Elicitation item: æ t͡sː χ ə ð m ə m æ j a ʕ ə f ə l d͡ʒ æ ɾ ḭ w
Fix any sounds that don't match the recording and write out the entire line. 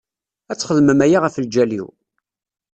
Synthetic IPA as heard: æ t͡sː χ ə ð m ə m æ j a ʁ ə f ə l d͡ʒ æ l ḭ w